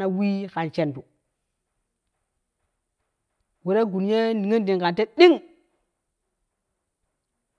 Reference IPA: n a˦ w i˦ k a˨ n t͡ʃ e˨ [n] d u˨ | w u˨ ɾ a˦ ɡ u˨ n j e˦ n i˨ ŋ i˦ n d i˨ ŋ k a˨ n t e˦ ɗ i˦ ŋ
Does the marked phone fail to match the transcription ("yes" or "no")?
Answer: no